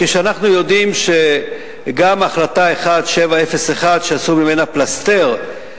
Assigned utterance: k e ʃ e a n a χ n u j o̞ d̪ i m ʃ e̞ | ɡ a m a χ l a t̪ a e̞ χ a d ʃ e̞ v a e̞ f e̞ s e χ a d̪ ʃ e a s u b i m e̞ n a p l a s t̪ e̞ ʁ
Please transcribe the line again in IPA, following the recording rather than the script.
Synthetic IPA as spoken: k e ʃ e a n a χ n u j o̞ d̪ i m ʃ e̞ | ɡ a m a χ l a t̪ a e̞ χ a d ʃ e̞ v a e̞ f e̞ s e χ a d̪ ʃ e a s u m i m e̞ n a p l a s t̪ e̞ ʁ